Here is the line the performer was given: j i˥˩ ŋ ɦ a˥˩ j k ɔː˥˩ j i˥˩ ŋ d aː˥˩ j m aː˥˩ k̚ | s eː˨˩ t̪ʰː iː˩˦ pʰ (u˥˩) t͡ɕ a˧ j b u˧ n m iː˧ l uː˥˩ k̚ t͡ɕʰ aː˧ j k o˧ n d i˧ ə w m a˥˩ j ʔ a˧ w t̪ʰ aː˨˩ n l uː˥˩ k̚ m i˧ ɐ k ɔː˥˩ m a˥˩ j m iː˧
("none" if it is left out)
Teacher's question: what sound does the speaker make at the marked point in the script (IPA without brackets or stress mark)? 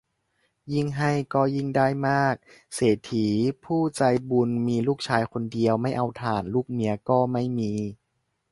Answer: uː˥˩